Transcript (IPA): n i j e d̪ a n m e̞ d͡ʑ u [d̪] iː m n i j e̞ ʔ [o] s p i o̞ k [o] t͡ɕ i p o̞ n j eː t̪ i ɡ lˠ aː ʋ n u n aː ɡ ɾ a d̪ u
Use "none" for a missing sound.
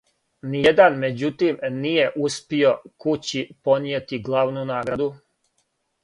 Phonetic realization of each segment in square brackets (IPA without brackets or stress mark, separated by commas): t̪, u, u